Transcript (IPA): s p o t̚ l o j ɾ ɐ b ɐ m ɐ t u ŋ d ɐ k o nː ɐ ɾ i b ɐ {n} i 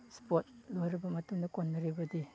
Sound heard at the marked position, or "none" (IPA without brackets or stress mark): d